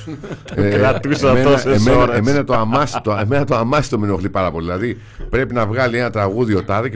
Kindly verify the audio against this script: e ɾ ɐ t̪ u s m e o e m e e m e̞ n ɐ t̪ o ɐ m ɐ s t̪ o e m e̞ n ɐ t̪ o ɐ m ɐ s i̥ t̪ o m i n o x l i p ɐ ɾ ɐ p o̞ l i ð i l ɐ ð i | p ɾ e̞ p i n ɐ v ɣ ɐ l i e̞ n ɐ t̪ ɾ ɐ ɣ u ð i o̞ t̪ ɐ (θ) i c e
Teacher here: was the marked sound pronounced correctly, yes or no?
no